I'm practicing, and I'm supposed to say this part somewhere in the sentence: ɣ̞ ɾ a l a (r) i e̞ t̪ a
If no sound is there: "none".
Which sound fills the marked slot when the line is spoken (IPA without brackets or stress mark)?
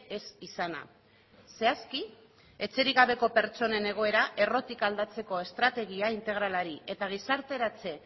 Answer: ɾ